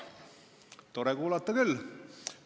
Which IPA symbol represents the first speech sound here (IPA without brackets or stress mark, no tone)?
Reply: t̪